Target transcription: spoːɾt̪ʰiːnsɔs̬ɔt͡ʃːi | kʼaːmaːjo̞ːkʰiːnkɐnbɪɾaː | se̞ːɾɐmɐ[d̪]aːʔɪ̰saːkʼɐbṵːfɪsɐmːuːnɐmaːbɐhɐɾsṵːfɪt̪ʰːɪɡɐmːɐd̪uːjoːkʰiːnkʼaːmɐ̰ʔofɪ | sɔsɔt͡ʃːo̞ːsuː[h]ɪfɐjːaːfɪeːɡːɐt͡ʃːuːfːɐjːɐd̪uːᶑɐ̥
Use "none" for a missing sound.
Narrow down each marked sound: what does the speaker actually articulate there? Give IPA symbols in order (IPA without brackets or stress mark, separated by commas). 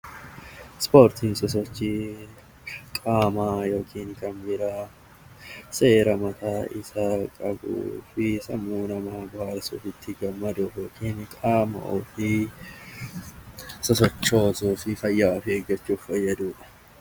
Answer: t̪, f